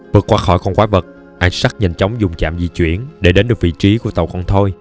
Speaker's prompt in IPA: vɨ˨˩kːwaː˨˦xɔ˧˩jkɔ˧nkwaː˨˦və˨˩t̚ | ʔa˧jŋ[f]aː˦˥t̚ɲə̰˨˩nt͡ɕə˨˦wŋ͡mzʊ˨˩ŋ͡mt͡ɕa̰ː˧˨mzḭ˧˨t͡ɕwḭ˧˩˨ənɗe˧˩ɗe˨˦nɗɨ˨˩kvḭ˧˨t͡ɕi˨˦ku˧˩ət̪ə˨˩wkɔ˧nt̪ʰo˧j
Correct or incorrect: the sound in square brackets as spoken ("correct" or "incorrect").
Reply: incorrect